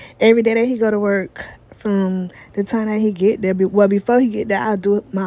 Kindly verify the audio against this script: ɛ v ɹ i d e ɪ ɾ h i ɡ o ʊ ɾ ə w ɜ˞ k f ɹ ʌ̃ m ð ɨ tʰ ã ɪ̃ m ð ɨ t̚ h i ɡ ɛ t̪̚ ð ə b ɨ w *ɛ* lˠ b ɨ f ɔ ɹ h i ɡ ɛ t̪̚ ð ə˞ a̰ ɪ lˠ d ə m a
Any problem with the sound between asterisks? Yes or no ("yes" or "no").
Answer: no